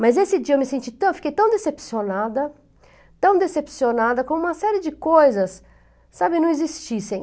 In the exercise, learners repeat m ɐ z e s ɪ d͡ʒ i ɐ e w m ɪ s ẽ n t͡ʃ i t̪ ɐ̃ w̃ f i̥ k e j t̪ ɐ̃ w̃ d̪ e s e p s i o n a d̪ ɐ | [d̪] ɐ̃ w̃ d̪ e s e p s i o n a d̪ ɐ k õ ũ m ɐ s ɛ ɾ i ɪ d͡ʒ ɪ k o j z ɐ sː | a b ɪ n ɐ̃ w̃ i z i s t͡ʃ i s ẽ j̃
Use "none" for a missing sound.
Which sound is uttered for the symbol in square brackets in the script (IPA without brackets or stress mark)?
t̪